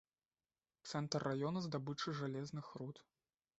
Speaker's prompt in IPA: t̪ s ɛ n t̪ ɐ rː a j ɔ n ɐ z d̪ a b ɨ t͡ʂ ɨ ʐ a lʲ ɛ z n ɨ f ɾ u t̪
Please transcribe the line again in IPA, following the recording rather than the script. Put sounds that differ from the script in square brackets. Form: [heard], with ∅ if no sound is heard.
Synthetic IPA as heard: t̪ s ɛ n t̪ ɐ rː a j ɔ n ɐ z d̪ a b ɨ t͡ʂ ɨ ʐ a lʲ ɛ z n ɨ [x] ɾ u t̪